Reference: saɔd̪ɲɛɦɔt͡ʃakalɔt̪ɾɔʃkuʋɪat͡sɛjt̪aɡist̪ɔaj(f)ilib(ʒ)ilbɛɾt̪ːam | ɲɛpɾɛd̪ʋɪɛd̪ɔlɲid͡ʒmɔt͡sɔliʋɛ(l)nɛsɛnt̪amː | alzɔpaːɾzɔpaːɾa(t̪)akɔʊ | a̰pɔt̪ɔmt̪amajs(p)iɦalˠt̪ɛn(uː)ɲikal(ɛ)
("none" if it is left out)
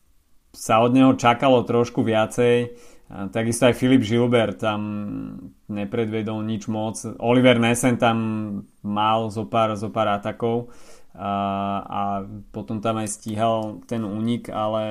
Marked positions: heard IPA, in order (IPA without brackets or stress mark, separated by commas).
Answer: f, ʒ, ɾ, t̪, c, uː, ɛ